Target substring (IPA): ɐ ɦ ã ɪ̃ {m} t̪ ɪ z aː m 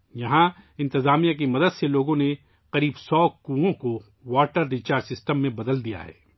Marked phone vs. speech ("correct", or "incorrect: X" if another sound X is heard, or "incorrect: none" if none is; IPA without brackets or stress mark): incorrect: n